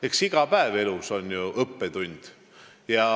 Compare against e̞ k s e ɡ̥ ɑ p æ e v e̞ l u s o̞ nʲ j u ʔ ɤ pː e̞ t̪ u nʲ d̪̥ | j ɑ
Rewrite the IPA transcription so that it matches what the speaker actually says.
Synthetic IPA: e̞ k s i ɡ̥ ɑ p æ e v e̞ l u s o̞ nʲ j u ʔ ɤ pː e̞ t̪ u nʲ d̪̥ | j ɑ